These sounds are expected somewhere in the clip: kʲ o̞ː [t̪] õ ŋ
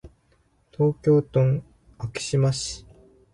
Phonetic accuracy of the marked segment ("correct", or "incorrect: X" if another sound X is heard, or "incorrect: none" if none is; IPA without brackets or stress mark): correct